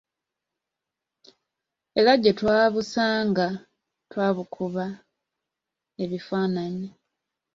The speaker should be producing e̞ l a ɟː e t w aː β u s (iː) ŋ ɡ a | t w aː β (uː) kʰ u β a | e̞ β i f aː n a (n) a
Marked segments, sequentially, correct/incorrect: incorrect, incorrect, incorrect

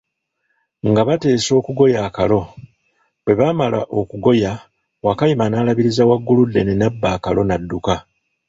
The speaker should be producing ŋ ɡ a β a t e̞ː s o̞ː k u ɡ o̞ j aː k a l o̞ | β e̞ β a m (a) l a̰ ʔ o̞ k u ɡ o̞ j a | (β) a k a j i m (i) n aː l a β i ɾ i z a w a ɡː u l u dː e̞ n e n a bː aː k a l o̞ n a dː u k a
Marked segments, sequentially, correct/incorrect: correct, incorrect, incorrect

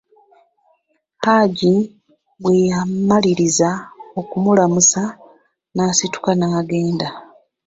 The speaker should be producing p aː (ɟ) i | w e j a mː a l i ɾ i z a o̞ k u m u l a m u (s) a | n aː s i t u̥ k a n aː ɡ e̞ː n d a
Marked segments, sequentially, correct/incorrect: correct, correct

